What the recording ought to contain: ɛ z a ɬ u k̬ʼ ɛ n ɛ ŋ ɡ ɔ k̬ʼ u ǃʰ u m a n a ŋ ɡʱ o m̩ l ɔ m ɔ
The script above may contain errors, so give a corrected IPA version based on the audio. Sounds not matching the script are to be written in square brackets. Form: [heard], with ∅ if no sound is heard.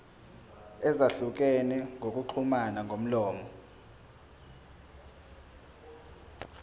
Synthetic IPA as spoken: ɛ z a ɬ u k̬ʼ ɛ n ɛ ŋ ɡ [o] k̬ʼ u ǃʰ u m a n a ŋ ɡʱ o m̩ l [ɔː] m ɔ